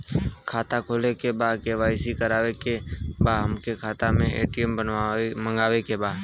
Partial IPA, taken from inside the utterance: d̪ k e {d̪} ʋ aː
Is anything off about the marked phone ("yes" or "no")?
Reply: yes